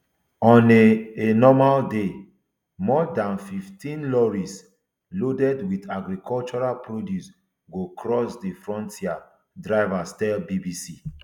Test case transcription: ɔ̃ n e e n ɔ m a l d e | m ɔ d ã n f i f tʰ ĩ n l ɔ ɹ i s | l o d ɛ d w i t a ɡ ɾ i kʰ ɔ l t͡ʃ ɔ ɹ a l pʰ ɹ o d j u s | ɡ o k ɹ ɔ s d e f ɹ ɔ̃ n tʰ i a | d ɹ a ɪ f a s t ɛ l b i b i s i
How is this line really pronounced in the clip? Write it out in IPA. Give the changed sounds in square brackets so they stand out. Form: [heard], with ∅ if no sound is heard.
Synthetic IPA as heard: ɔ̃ n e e n ɔ m a l d e | m ɔ d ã n f i f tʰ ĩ n l ɔ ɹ i s | l o d ɛ d w i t a ɡ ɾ i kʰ ɔ l t͡ʃ ɔ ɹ a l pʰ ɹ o d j u s | ɡ o k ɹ ɔ s d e f ɹ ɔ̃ n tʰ i a | d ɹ a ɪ [v] a s t ɛ l b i b i s i